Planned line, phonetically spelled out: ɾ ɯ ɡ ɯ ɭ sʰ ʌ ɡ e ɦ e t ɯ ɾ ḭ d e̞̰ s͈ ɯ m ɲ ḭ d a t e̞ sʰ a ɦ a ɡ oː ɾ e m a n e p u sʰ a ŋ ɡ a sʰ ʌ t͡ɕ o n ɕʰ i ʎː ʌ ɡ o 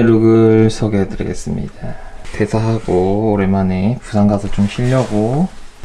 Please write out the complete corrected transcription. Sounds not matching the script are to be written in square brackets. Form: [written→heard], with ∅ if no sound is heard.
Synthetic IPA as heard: ɾ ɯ ɡ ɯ ɭ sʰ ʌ ɡ e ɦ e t ɯ ɾ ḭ [d→ɡ] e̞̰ s͈ ɯ m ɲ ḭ d a t e̞ sʰ a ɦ a ɡ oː ɾ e m a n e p u sʰ a ŋ ɡ a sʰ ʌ t͡ɕ o [n→m] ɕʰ i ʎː ʌ ɡ o